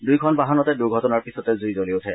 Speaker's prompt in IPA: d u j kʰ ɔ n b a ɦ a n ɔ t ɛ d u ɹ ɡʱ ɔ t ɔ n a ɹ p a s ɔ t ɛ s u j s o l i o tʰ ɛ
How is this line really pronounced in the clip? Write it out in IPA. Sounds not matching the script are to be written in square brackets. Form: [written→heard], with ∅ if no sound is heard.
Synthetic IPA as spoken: d u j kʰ ɔ n b a ɦ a n ɔ t ɛ d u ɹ ɡʱ ɔ t ɔ n a ɹ p [a→i] s ɔ t ɛ [s→z] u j [s→z] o l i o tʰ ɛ